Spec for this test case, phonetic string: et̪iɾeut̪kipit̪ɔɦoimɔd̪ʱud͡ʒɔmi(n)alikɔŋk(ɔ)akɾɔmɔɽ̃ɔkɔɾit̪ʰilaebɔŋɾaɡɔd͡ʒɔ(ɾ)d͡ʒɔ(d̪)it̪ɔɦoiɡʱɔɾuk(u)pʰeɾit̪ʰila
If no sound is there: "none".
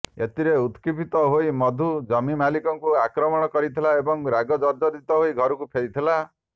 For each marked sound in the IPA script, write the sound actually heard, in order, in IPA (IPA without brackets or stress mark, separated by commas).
m, u, ɾ, d̪, u